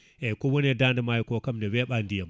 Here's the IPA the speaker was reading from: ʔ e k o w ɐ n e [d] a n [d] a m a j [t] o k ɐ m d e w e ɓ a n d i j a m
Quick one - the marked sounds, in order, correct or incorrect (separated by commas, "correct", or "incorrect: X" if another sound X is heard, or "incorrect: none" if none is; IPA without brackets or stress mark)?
correct, correct, incorrect: k